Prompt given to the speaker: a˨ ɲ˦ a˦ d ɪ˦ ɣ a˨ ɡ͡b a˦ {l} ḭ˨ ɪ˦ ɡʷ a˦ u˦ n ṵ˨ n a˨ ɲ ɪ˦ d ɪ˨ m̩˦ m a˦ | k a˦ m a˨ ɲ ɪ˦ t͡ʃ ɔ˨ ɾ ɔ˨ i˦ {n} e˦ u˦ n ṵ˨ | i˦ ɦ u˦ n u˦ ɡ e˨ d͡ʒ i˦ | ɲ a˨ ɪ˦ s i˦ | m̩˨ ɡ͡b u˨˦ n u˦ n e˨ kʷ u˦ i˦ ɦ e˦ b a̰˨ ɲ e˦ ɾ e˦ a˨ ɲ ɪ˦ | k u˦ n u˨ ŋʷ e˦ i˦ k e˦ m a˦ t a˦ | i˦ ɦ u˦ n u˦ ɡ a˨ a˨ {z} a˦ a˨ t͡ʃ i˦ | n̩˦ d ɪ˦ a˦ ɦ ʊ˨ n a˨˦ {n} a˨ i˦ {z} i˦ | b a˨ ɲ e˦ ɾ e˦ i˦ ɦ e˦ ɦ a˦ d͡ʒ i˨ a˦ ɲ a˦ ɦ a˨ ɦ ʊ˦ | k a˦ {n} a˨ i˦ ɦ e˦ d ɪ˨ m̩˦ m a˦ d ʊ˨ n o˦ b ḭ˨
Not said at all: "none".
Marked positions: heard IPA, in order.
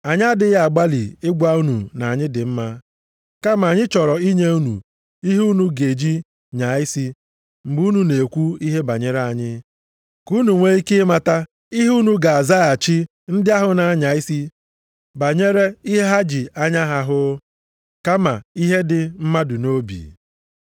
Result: l, ɲ, z, ɲ, s, m

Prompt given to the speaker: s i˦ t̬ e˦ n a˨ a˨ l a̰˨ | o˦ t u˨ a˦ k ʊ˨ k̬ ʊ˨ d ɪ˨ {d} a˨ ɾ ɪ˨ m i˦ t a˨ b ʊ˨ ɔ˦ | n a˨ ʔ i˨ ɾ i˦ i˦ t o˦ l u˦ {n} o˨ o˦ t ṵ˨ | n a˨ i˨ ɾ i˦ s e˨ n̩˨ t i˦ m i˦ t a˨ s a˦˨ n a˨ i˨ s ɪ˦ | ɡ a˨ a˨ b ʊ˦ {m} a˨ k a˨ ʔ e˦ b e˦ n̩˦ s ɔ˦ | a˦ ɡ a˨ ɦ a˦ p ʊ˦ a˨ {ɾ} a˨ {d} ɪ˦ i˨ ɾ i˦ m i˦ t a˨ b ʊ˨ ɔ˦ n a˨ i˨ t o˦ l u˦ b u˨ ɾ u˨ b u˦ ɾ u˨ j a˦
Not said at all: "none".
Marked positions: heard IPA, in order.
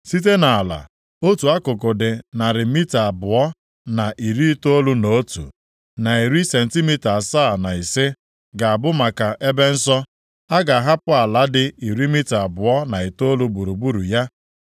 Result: n, n, m, l, d

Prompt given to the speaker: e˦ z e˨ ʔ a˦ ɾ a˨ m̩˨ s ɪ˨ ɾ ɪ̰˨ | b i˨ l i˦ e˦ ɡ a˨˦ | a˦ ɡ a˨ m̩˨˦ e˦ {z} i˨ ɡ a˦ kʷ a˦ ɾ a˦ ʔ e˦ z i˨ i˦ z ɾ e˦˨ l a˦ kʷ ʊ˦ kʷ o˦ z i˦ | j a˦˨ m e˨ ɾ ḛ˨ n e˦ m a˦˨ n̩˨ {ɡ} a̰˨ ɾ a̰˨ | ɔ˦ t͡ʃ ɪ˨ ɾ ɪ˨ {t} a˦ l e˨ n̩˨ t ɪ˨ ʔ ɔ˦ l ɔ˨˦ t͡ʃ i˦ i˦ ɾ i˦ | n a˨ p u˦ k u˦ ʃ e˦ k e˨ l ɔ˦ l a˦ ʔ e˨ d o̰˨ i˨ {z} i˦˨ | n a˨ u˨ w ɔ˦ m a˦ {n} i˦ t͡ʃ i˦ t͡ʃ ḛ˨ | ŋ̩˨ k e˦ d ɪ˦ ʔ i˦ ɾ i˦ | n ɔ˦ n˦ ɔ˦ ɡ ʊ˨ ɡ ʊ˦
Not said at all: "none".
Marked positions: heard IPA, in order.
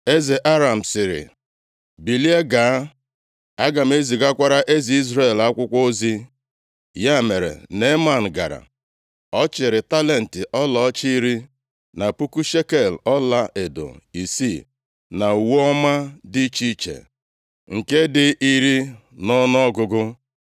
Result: z, ɡ, t, s, d

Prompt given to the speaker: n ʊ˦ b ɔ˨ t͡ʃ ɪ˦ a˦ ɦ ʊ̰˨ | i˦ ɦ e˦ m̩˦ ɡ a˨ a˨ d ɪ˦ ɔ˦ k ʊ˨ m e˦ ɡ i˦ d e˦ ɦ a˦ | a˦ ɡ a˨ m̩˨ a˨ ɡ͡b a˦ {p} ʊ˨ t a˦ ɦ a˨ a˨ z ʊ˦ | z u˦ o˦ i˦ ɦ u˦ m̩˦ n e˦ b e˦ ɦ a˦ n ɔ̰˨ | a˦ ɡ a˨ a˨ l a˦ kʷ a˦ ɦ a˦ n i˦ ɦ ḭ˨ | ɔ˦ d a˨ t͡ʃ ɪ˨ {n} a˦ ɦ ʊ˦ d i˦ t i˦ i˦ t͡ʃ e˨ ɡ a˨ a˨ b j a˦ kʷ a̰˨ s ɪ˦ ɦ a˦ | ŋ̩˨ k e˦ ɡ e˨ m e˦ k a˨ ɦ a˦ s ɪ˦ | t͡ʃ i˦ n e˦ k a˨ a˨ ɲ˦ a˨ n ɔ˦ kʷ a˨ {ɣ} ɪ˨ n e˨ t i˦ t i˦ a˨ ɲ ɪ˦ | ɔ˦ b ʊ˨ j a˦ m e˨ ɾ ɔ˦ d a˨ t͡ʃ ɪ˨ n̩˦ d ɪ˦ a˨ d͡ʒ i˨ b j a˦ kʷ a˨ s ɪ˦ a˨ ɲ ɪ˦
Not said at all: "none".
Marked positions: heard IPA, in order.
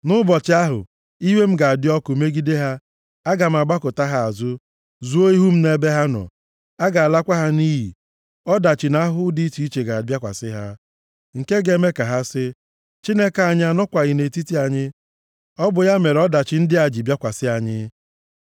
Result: k, n, ɣ

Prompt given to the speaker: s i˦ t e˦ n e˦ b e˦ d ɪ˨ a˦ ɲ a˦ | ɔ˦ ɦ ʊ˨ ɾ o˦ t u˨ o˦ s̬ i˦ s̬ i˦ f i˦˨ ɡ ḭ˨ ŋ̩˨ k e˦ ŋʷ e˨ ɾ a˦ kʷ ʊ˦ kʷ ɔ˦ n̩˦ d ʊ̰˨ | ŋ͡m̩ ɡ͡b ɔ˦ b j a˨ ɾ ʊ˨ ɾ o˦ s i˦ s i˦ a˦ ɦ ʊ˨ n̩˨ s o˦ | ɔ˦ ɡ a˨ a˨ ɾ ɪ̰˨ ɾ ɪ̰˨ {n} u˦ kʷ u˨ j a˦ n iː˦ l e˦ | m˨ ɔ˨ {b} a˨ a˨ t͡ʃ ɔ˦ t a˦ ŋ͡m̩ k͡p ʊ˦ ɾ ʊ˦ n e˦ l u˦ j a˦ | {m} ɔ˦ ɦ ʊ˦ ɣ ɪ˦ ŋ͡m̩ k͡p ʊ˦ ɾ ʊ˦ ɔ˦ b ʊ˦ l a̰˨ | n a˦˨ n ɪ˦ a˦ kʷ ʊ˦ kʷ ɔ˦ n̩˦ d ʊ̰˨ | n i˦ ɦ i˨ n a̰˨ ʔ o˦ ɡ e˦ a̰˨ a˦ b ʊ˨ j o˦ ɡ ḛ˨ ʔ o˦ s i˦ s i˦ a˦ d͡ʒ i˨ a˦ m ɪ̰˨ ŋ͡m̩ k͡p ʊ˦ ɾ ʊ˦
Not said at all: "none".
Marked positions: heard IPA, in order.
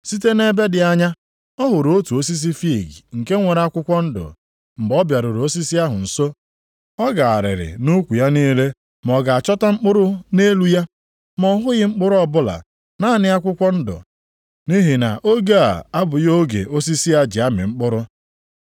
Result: n, ɡ, m

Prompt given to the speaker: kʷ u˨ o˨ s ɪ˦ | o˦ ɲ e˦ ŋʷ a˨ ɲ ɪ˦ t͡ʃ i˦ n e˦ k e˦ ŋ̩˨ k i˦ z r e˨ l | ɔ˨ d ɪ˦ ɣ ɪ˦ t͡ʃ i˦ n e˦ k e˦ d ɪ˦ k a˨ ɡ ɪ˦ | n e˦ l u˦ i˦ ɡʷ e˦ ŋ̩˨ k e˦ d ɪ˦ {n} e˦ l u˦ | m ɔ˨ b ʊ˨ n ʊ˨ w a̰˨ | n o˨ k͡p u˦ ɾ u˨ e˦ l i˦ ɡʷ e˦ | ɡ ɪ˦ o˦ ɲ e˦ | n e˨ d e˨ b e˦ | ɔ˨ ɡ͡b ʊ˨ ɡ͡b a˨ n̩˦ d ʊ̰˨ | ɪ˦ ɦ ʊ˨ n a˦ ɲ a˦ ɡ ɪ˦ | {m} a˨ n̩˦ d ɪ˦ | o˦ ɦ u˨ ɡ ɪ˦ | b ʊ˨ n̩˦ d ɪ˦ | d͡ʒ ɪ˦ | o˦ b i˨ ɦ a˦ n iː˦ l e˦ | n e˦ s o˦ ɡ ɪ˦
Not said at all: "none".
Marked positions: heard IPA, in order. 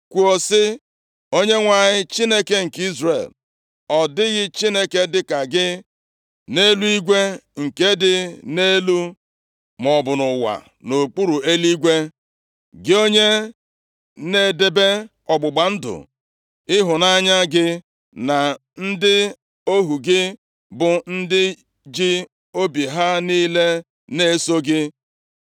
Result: n, n

